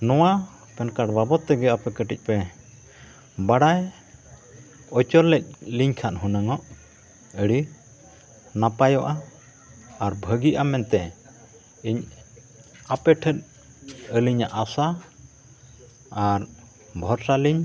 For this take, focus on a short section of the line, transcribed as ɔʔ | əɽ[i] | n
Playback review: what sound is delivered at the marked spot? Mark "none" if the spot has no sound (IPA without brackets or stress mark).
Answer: i